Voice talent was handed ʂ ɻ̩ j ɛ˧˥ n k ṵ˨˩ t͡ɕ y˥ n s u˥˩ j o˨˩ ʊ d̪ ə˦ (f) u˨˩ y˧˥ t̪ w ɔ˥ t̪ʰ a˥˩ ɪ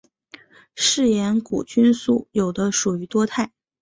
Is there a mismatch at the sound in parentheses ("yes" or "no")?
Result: yes